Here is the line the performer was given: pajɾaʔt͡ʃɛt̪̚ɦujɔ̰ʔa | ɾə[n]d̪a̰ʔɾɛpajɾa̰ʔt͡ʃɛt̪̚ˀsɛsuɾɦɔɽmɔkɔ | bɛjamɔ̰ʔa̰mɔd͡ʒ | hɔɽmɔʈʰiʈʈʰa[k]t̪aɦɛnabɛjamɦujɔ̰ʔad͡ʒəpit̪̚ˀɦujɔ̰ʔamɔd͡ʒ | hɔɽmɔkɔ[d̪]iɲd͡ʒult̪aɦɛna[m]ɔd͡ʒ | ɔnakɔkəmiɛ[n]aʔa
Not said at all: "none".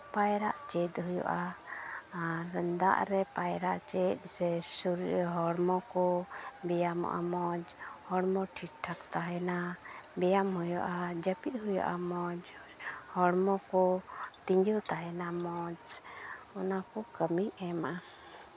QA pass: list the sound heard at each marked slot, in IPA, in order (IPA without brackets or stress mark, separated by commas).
n, k, t̪, m, m